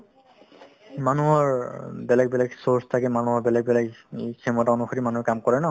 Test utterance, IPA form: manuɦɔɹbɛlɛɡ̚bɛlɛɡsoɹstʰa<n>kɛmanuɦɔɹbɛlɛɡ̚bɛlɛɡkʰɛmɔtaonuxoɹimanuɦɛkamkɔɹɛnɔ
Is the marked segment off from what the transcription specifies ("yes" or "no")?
yes